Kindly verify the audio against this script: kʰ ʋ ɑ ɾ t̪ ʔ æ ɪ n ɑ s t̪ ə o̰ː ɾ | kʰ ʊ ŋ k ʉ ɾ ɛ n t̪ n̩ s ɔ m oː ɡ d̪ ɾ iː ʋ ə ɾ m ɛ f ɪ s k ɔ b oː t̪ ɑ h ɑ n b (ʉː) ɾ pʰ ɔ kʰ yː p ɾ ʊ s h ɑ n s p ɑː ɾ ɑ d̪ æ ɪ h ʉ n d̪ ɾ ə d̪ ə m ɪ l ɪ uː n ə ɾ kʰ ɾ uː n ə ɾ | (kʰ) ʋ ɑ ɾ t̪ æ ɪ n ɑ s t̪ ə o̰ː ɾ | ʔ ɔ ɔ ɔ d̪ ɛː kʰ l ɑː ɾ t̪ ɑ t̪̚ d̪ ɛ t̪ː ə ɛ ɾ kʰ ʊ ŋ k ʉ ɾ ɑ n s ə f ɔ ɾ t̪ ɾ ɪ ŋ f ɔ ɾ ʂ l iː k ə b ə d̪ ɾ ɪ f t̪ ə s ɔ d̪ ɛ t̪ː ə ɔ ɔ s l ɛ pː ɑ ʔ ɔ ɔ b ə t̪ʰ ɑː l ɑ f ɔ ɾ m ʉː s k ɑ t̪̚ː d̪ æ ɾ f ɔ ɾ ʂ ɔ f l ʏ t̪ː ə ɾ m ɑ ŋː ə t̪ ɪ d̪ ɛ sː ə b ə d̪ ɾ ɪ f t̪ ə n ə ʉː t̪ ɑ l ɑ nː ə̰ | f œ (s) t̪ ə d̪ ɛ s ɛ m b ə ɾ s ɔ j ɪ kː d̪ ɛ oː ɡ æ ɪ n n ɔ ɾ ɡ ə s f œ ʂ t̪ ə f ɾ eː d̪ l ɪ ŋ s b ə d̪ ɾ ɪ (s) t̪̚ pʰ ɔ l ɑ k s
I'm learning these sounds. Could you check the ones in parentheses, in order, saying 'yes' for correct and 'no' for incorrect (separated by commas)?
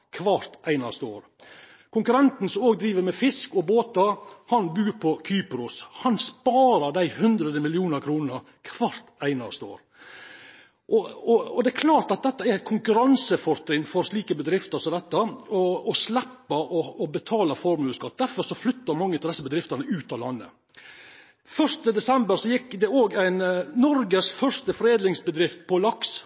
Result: yes, yes, no, no